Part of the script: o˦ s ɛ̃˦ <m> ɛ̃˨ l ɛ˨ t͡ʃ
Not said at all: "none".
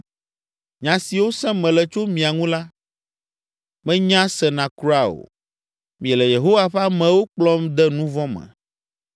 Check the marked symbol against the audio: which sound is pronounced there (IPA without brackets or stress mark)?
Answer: m